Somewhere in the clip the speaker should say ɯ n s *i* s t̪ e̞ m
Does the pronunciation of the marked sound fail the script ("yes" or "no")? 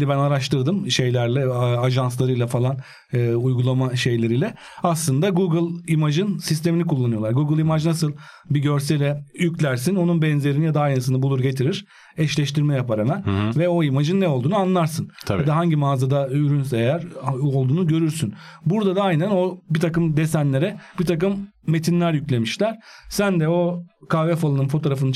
no